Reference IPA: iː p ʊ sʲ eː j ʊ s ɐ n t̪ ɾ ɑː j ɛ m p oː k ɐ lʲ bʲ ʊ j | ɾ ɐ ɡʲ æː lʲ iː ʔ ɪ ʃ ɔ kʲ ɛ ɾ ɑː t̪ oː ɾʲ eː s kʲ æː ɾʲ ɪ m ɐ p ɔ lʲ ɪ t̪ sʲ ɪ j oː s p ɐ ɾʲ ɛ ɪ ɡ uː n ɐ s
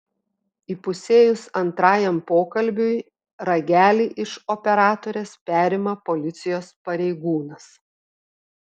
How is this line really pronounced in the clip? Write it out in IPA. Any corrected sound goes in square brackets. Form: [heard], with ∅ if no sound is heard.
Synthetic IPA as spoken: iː p ʊ sʲ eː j ʊ s ɐ n t̪ ɾ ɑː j ɛ m p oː k ɐ lʲ bʲ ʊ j | ɾ ɐ ɡʲ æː lʲ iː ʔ ɪ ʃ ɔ [pʲ] ɛ ɾ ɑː t̪ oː ɾʲ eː s [pʲ] æː ɾʲ ɪ m ɐ p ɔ lʲ ɪ t̪ sʲ ɪ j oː s p ɐ ɾʲ ɛ ɪ ɡ uː n ɐ s